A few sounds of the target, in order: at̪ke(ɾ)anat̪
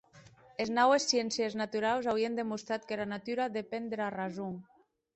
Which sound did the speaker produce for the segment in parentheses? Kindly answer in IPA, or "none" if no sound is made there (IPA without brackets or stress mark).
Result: l